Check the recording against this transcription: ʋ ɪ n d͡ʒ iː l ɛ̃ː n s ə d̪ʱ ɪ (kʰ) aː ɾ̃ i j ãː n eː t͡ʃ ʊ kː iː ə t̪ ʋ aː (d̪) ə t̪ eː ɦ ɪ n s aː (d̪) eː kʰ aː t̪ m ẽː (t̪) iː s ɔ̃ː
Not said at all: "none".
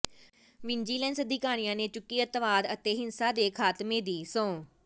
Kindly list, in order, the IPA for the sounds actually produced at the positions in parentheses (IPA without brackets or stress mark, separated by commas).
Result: k, d̪, d̪, d̪